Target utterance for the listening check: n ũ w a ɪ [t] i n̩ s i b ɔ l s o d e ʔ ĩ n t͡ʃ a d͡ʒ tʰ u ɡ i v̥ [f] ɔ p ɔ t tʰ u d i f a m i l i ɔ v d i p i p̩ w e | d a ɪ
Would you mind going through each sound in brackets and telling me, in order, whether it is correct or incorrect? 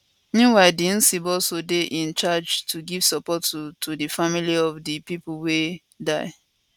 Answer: incorrect, incorrect

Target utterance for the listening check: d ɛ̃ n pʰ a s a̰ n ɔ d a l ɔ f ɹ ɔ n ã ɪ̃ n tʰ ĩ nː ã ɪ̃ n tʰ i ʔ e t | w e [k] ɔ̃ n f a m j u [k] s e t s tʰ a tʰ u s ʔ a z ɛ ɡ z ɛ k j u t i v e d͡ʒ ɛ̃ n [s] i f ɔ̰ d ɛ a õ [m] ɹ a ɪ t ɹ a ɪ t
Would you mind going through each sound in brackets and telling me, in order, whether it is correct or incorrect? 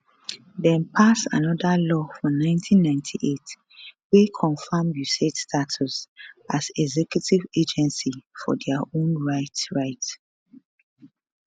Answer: incorrect, incorrect, correct, incorrect

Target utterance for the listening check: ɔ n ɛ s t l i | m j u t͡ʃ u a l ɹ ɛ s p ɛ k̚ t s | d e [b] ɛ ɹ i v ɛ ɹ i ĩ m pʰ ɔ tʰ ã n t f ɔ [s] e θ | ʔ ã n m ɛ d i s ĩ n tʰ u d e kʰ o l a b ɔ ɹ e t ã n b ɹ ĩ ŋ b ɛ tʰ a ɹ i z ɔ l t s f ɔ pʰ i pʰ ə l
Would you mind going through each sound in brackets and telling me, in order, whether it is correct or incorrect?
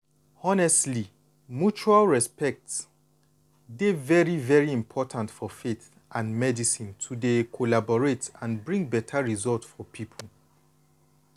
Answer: incorrect, incorrect

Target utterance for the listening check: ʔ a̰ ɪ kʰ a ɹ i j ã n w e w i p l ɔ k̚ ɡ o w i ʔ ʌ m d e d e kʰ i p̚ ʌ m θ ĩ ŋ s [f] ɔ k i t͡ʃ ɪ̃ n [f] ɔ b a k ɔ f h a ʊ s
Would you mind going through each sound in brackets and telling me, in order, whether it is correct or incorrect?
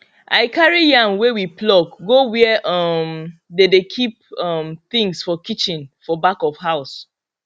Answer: correct, correct

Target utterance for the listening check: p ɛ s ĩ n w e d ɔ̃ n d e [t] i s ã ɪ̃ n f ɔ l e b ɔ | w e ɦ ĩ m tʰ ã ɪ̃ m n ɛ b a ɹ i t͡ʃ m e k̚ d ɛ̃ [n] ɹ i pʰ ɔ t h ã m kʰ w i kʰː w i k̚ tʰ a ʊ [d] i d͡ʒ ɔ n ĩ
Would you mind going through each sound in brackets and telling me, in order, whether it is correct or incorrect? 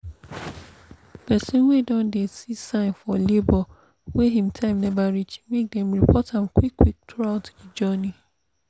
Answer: incorrect, incorrect, incorrect

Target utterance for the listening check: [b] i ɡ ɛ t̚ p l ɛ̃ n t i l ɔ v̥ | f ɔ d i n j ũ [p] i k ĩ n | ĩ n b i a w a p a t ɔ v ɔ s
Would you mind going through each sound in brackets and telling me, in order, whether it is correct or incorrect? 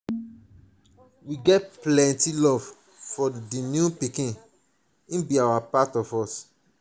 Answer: incorrect, correct

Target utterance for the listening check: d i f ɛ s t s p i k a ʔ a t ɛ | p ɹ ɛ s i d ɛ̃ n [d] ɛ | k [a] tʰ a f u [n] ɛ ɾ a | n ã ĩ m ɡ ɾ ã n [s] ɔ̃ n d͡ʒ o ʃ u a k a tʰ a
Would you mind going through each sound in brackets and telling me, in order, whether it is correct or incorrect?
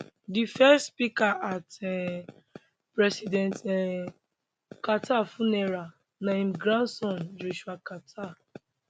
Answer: incorrect, correct, correct, correct

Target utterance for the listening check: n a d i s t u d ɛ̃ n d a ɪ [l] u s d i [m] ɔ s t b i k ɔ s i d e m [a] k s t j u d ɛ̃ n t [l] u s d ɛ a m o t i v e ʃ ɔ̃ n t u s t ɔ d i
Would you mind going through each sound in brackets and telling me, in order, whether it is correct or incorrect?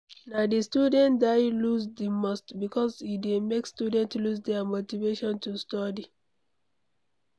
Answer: correct, correct, incorrect, correct

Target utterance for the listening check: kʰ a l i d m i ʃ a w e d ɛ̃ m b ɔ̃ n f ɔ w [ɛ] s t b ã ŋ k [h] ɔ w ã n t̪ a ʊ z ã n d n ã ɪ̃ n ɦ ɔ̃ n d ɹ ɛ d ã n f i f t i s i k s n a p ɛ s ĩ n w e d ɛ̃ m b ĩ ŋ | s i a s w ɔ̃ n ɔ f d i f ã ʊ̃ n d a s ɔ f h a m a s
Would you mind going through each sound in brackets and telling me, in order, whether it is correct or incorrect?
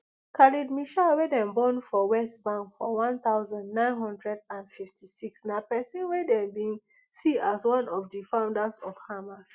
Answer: correct, incorrect

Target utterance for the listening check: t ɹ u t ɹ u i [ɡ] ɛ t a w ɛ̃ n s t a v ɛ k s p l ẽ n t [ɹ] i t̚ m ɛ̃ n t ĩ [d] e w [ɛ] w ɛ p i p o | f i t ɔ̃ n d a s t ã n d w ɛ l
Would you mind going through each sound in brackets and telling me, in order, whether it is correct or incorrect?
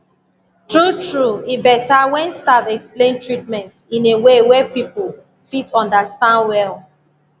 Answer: incorrect, correct, incorrect, incorrect

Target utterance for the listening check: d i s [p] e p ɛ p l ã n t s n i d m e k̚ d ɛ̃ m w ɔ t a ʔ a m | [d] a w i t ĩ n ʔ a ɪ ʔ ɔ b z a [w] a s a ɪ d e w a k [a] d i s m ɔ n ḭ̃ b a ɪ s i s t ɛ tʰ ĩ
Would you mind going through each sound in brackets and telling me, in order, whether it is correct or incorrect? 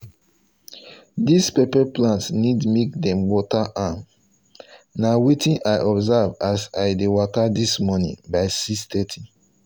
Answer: correct, incorrect, incorrect, correct

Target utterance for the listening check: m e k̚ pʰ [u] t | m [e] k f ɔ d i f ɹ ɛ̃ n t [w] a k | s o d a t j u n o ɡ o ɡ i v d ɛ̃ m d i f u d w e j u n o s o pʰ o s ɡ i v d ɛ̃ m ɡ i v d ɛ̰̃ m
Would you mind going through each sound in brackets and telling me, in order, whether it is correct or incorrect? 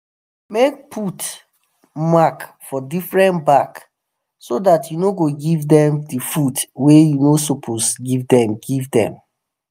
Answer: correct, incorrect, incorrect

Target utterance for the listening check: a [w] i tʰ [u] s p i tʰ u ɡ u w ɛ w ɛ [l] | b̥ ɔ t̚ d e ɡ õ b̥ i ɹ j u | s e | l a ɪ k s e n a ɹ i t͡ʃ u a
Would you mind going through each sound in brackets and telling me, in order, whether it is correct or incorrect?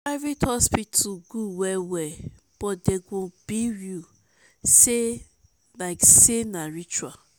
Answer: incorrect, incorrect, incorrect

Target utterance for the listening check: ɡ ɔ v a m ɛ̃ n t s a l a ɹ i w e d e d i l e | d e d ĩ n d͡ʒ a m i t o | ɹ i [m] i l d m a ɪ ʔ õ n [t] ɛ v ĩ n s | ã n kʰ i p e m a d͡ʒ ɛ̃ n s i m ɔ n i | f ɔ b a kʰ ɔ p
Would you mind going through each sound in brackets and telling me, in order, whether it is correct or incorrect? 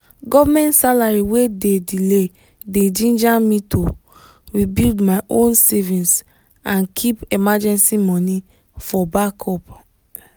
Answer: incorrect, incorrect

